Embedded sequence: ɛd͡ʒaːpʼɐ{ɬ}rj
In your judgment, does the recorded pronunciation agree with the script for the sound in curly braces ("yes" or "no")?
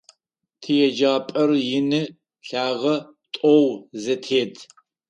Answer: no